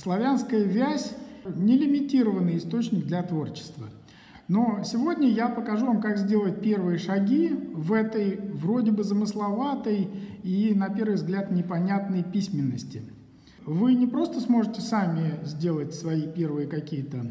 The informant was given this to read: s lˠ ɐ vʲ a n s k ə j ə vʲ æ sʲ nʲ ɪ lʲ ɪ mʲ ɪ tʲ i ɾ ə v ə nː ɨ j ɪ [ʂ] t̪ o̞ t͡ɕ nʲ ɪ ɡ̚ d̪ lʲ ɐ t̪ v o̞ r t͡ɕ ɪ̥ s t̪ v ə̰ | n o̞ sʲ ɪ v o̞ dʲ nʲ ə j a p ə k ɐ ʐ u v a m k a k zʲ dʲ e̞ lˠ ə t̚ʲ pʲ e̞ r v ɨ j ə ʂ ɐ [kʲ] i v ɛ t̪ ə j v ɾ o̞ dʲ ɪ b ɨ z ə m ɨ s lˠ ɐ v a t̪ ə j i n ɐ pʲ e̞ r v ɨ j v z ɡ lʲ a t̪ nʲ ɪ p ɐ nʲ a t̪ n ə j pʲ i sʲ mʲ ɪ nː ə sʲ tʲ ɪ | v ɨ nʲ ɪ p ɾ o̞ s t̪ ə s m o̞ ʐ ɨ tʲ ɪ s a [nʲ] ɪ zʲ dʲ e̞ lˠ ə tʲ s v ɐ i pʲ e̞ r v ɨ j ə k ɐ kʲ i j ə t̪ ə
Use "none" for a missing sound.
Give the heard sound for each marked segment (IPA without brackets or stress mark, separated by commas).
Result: s, ɡʲ, mʲ